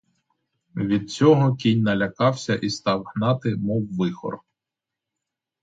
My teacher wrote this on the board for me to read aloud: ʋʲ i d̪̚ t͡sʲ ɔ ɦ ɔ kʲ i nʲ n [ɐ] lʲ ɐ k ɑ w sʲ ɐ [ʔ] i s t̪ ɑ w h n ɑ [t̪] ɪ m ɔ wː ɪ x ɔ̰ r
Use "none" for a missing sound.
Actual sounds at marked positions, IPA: ɐ, ʔ, t̪

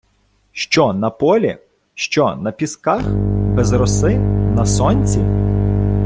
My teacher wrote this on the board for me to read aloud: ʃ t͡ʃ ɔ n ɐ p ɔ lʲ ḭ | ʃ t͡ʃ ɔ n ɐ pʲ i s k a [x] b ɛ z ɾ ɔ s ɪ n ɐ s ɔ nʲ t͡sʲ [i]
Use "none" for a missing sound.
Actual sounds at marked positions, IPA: x, i

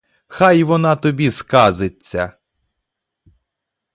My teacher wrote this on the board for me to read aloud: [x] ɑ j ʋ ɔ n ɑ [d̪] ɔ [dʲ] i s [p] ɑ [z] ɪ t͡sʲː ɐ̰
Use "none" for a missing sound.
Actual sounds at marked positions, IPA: x, t̪, bʲ, k, z

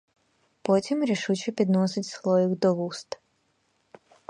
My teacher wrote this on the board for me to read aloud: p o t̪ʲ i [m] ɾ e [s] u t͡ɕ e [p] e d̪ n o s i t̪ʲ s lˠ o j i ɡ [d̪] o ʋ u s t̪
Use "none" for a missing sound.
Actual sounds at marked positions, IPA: m, ʃ, p, d̪

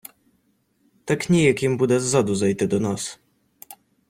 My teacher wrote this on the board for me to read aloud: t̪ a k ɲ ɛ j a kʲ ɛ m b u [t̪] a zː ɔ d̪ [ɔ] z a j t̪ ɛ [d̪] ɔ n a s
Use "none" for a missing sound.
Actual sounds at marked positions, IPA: d̪, u, d̪

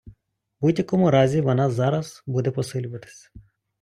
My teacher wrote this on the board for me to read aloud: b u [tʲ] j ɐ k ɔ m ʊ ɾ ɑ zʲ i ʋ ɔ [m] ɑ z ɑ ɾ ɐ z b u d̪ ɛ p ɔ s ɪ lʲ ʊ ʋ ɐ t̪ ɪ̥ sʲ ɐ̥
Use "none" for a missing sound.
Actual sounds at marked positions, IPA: dʲ, n

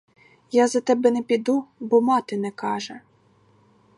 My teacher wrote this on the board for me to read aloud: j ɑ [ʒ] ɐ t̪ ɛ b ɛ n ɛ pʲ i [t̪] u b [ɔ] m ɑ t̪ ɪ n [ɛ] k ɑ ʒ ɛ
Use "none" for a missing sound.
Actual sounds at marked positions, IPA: z, d̪, ɔ, ɛ

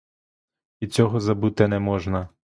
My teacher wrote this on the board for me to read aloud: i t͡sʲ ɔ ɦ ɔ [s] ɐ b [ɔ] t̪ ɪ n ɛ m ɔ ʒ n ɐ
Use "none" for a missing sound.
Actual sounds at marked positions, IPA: z, u

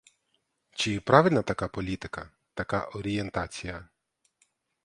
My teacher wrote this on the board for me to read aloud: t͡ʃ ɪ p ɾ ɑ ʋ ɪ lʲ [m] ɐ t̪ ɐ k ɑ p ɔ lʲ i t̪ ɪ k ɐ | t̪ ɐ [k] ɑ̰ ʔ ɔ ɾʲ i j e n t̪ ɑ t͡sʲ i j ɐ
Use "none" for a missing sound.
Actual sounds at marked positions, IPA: n, k

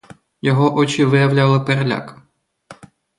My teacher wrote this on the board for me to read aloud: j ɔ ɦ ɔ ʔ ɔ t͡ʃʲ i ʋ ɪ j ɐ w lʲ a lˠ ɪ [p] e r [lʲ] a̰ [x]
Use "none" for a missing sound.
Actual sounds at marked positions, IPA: p, lʲ, k

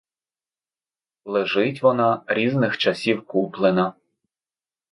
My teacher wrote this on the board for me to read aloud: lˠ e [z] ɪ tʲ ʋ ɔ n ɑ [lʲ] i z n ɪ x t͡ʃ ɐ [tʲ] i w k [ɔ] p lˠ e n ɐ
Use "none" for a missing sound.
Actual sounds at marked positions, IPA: ʒ, ɾʲ, sʲ, u

